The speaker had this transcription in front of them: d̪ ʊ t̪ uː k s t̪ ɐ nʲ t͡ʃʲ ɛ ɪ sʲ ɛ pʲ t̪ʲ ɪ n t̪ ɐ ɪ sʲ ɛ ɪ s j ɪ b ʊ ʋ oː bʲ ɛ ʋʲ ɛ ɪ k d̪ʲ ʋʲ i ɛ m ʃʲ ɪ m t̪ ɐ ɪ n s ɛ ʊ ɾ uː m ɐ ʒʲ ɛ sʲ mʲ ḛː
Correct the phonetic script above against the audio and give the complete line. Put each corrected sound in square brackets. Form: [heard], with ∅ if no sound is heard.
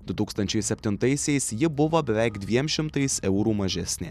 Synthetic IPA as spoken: d̪ ʊ t̪ uː k s t̪ ɐ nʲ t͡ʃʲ ɛ ɪ sʲ ɛ pʲ t̪ʲ ɪ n t̪ ɐ ɪ sʲ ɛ ɪ s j ɪ b ʊ ʋ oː bʲ ɛ ʋʲ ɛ ɪ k d̪ʲ ʋʲ i ɛ m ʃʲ ɪ m t̪ ɐ ɪ [∅] s ɛ ʊ ɾ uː m ɐ ʒʲ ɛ sʲ [nʲ] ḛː

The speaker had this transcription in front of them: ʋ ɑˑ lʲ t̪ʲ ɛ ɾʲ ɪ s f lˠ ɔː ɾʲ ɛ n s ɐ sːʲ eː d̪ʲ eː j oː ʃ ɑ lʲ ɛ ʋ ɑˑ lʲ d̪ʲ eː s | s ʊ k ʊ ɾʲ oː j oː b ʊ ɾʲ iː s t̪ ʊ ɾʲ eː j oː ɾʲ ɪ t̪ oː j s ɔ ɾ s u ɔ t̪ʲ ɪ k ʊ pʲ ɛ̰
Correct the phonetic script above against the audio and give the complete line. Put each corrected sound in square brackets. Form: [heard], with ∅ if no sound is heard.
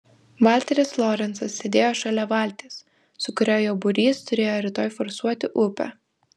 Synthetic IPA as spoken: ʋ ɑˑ lʲ t̪ʲ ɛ ɾʲ ɪ s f lˠ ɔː ɾʲ ɛ n s ɐ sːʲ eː d̪ʲ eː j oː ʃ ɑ lʲ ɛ ʋ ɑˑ lʲ [t̪ʲ] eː s | s ʊ k ʊ ɾʲ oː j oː b ʊ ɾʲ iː s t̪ ʊ ɾʲ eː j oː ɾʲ ɪ t̪ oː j [f] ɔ ɾ s u ɔ t̪ʲ ɪ [ʔ] ʊ pʲ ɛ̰

